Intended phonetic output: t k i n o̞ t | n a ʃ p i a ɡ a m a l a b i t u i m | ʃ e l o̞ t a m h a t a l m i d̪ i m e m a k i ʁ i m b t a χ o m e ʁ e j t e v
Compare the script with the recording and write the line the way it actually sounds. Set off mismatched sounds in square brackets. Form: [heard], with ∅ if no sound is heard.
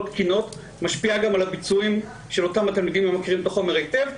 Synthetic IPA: t k i n o̞ t | [m] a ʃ p i a ɡ a m a l a b i [t͡s] u i m | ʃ e l o̞ t a m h a t a l m i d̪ i m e m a k i ʁ i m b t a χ o m e ʁ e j t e v